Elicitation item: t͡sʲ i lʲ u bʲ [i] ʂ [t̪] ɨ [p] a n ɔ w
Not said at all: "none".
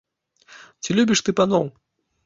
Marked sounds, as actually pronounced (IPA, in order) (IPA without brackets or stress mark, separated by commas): i, t̪, p